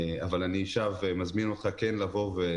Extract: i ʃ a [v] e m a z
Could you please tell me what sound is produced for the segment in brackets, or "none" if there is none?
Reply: v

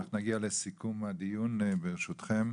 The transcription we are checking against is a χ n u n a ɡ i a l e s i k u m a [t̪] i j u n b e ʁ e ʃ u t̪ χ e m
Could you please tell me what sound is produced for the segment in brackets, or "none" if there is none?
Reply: d̪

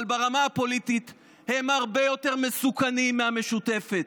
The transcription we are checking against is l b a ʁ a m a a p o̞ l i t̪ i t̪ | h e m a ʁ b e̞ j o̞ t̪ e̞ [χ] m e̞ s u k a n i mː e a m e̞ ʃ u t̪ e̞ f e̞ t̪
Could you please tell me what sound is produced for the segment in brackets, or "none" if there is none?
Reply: ʁ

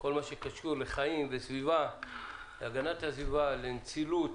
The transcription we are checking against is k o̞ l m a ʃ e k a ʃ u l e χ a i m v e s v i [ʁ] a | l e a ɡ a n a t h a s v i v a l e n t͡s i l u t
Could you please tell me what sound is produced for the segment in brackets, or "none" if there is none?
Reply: v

